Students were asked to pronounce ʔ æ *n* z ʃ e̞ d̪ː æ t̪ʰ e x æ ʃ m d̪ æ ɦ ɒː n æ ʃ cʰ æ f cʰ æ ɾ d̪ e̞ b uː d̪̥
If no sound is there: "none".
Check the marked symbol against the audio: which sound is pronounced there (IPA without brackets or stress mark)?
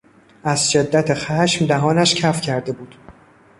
none